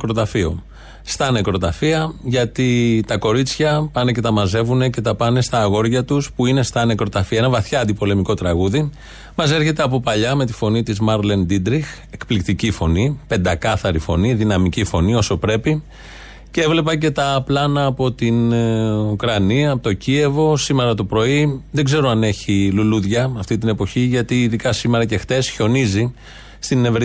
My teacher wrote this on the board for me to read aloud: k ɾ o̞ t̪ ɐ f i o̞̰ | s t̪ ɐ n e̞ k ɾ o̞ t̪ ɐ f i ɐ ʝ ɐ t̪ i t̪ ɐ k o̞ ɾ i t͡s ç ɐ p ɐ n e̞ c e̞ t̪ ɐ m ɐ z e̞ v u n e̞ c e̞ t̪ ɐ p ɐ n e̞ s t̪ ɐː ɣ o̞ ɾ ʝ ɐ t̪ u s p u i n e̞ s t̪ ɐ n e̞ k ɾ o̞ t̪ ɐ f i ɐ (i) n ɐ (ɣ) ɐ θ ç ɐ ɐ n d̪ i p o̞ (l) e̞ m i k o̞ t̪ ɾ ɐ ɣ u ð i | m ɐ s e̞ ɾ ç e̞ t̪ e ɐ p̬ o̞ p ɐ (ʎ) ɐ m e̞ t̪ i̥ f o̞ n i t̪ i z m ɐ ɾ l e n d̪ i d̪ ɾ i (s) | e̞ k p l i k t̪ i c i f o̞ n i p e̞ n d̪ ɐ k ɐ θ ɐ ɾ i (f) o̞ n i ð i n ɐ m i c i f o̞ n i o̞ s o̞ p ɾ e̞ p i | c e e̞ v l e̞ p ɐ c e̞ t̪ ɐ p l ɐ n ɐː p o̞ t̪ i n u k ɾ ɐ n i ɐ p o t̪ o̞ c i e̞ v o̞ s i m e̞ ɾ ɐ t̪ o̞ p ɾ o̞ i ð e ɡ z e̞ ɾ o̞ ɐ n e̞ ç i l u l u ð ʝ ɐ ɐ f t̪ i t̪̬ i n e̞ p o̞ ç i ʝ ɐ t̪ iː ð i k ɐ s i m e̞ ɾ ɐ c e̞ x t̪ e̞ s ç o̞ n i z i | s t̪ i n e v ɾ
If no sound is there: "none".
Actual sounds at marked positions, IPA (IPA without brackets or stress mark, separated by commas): e, v, l, ʎ, x, f